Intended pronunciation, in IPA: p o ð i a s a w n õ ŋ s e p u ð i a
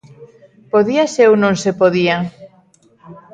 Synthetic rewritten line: p o ð i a s e w n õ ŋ s e p o ð i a